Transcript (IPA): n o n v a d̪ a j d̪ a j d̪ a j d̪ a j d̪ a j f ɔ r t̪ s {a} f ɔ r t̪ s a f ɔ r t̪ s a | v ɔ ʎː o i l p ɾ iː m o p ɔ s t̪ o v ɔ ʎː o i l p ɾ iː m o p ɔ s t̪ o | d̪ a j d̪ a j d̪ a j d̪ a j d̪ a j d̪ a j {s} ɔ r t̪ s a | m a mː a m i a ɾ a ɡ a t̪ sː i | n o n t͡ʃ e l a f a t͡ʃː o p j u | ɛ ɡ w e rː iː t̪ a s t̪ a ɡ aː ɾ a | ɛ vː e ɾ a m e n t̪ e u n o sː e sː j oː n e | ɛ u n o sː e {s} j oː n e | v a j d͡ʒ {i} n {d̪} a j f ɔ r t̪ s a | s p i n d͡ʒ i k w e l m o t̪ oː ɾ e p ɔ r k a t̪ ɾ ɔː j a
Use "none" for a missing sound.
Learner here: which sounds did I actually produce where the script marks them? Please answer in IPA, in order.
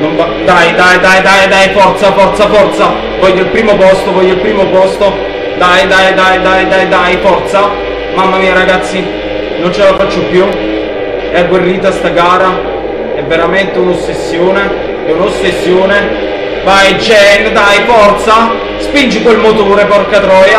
a, f, sː, ɛ, d̪

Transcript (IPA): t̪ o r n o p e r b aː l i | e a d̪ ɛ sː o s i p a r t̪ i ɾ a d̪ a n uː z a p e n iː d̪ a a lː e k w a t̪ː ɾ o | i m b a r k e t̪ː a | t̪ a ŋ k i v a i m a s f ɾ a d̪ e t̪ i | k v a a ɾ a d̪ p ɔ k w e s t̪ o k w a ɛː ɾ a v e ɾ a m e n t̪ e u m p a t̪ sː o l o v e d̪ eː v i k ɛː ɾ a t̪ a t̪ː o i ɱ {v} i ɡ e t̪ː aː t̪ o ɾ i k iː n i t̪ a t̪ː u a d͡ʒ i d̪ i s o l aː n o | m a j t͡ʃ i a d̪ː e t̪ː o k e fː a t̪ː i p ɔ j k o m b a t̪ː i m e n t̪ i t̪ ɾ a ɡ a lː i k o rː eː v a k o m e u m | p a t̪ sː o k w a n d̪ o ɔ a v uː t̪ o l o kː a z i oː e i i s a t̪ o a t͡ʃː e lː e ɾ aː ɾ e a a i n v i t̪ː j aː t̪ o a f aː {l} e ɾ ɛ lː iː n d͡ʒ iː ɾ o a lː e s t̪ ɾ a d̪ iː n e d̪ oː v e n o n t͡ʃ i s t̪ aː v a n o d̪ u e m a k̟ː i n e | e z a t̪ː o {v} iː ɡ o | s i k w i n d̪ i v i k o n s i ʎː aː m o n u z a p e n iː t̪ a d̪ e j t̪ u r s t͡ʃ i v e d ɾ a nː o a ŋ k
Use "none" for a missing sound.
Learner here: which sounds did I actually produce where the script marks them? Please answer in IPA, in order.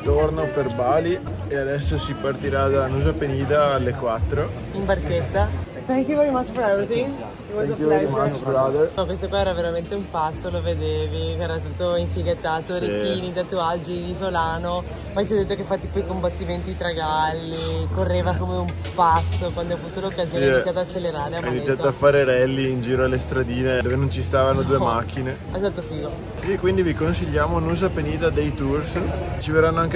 f, ɾ, f

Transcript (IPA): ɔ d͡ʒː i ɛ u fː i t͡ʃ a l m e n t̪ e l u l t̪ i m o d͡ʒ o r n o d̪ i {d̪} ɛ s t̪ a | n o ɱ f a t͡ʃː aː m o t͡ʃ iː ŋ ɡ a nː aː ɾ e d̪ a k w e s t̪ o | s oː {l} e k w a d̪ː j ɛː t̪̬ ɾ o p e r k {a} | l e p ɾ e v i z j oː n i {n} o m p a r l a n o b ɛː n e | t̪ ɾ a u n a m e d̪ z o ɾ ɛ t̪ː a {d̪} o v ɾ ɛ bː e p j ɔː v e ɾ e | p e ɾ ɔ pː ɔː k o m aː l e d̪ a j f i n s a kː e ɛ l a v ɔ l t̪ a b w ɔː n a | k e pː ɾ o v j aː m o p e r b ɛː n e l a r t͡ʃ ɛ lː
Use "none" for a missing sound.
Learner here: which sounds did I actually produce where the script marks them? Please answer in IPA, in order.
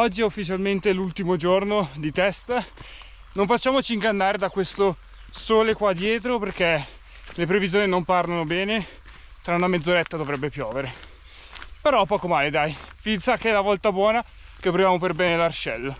t̪, l, e, n, d̪

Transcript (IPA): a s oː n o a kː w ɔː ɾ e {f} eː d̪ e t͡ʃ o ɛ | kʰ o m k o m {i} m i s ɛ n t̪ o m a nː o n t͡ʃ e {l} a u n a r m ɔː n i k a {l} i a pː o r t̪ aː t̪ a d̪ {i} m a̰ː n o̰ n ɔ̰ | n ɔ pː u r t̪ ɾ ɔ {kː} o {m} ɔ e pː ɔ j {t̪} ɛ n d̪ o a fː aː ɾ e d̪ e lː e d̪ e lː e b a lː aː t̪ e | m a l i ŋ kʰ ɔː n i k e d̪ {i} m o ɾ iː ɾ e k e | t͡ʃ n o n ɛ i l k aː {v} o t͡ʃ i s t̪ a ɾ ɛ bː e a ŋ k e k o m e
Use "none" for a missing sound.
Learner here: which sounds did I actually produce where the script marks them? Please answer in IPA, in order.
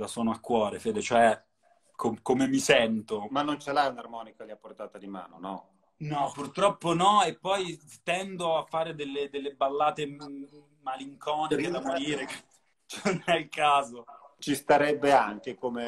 f, e, l, l, i, pː, n, t̪, a, z

